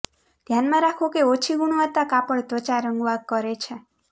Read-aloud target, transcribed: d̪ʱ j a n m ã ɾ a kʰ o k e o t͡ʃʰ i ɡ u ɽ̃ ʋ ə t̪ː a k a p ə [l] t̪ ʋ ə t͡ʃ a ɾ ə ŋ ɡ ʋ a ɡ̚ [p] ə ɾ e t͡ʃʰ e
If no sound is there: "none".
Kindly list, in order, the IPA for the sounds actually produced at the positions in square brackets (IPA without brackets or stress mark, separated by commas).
ɭ, k